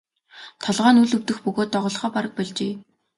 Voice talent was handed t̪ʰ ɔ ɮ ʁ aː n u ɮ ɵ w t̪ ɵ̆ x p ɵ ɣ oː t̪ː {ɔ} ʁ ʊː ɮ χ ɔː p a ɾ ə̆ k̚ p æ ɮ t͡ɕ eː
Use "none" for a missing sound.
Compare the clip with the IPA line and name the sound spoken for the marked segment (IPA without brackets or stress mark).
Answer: ɔ